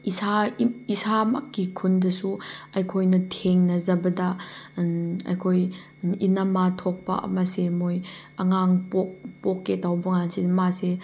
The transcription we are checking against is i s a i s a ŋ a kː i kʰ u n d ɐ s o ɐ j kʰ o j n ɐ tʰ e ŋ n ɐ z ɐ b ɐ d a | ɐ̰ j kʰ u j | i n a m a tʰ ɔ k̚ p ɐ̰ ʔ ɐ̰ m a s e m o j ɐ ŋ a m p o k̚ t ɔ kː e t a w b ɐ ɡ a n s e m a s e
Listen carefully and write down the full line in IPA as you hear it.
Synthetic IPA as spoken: i s a i s a m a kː i kʰ u n d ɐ s u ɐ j kʰ o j n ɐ tʰ e ŋ n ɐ z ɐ b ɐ d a | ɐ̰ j kʰ o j | i n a m a tʰ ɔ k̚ p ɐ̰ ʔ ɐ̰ m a s e m o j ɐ ŋ a ŋ p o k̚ p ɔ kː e t a w b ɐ ŋ a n s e m a s e